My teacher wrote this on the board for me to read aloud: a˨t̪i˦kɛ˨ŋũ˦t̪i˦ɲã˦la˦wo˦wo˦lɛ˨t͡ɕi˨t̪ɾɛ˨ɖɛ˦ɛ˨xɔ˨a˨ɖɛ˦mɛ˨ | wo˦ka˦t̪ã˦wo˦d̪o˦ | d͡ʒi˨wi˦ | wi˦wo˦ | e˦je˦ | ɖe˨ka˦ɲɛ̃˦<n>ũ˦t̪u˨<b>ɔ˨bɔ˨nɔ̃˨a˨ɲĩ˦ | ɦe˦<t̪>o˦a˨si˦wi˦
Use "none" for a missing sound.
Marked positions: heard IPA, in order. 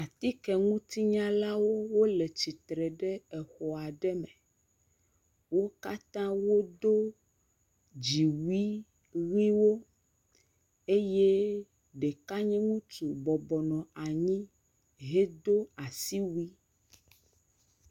ŋ, b, d̪

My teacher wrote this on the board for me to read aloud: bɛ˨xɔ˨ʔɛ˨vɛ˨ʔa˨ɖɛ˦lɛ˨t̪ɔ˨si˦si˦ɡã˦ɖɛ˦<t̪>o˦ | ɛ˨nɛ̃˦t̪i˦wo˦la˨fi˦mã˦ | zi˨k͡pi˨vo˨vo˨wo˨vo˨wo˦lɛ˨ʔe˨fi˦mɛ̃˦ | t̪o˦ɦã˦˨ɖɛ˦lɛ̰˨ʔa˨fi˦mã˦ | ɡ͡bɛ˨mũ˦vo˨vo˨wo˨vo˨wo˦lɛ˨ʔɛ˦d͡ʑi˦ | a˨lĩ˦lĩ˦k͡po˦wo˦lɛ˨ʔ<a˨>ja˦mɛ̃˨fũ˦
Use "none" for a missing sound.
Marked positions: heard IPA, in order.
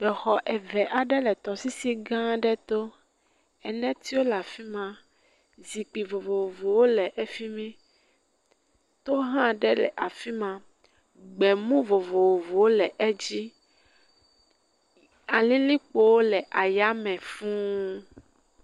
t̪, a˨

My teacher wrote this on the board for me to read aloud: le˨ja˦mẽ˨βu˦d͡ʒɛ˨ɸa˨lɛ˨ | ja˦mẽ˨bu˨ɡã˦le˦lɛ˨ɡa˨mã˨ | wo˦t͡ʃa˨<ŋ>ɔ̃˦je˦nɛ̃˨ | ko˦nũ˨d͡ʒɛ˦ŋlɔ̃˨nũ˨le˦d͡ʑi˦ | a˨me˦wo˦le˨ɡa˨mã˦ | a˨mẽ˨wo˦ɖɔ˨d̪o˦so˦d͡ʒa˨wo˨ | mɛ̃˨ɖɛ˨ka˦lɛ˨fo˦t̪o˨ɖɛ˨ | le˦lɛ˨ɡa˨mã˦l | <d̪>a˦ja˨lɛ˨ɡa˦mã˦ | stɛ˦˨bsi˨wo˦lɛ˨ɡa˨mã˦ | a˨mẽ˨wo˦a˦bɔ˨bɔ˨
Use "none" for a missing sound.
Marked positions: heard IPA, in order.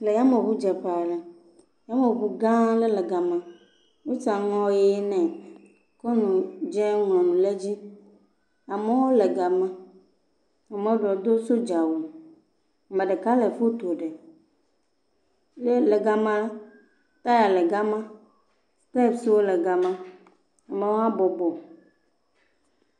ŋ, t̪

